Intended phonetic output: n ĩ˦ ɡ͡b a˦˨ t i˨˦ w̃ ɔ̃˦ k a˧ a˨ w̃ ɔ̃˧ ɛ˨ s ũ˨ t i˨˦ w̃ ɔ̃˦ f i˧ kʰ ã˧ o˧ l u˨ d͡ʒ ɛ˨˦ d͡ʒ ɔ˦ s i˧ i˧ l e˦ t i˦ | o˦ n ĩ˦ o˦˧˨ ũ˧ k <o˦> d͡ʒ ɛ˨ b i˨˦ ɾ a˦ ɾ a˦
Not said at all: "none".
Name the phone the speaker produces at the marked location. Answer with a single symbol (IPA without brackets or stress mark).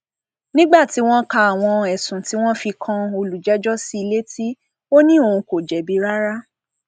o˨